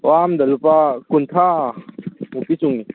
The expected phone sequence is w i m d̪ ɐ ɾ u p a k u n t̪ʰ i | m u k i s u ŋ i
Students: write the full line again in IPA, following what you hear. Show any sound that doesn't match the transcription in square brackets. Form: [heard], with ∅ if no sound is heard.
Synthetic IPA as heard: w [a] m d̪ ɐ [l] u p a k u n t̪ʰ [a] | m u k i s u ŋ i